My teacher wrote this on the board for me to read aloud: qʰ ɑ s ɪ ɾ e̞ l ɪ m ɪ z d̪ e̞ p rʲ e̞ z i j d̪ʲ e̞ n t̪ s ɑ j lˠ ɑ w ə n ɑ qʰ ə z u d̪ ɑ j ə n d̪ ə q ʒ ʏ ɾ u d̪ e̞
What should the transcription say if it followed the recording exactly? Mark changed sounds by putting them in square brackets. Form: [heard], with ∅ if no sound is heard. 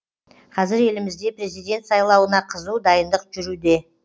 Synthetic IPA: qʰ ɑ [z] ɪ ɾ e̞ l ɪ m ɪ z d̪ e̞ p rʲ e̞ z i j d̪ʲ e̞ n t̪ s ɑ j lˠ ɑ w ə n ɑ qʰ ə z u d̪ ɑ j ə n d̪ ə q ʒ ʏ ɾ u d̪ e̞